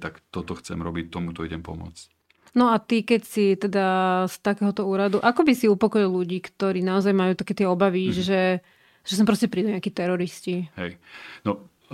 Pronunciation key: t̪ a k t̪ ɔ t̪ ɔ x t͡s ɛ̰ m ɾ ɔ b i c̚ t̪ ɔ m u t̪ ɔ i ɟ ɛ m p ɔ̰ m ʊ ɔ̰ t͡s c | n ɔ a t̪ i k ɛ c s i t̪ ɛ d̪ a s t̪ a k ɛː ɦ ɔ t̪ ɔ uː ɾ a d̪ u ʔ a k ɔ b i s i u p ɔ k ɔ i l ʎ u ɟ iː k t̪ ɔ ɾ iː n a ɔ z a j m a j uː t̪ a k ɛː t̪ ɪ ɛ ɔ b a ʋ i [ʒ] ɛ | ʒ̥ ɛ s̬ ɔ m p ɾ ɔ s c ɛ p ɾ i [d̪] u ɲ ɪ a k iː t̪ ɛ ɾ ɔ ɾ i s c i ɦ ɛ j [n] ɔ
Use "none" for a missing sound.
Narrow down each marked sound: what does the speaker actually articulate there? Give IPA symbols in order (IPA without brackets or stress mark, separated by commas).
ʒ, d̪, n